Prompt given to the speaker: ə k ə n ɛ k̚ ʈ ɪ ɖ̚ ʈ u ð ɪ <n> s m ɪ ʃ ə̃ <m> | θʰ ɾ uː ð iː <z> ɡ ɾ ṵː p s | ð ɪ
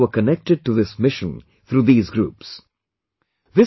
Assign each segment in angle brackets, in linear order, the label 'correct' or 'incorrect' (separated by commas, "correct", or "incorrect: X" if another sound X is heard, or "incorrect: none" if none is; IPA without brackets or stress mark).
incorrect: none, incorrect: n, correct